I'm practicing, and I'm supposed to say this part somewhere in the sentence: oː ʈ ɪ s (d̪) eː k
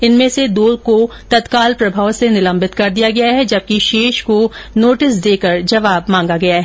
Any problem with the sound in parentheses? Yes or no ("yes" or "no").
no